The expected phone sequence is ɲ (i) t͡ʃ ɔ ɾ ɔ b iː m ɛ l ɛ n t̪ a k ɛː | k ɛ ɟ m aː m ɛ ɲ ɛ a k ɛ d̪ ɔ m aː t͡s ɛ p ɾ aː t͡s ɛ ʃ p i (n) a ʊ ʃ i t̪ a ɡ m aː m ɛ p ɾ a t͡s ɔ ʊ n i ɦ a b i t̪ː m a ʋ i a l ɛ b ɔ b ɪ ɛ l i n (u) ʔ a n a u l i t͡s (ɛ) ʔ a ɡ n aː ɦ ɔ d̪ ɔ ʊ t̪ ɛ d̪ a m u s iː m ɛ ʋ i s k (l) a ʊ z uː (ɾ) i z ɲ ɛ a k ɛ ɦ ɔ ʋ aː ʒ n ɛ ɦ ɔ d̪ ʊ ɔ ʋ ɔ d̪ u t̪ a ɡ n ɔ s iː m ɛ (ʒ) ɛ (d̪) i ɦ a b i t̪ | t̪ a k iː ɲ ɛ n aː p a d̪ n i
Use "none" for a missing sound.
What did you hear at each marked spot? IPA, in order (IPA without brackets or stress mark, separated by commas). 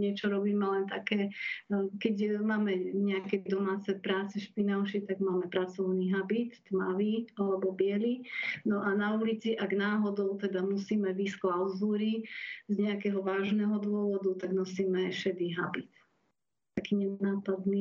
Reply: ɛ, n, ɔ, i, l, ɾ, ʃ, d̪